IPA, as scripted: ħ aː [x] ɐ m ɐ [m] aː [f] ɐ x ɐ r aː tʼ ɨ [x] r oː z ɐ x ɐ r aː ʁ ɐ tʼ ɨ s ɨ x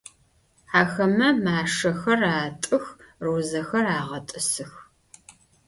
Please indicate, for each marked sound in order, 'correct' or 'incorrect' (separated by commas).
correct, correct, incorrect, correct